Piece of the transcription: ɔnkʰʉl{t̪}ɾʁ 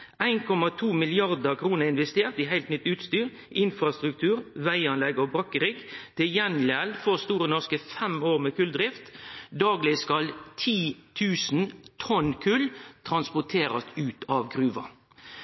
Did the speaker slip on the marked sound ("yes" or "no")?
yes